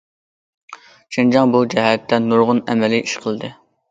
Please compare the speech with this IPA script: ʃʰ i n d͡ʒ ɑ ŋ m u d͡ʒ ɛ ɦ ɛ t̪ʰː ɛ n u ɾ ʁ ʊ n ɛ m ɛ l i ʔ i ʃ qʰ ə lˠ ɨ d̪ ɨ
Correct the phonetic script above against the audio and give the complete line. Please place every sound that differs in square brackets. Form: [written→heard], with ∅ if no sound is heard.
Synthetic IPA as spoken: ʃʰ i n d͡ʒ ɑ ŋ [m→b] u d͡ʒ ɛ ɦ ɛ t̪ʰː ɛ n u ɾ ʁ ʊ n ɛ m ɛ l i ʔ i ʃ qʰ ə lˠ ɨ d̪ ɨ